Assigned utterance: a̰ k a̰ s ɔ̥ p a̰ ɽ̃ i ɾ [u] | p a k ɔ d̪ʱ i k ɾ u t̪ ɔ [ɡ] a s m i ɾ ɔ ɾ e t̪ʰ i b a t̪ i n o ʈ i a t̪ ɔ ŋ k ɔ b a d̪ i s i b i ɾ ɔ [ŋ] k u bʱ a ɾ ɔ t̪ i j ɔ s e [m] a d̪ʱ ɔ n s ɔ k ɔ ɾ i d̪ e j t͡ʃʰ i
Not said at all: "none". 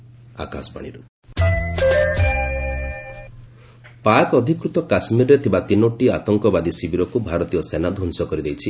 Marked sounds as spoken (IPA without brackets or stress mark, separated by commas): u, k, none, n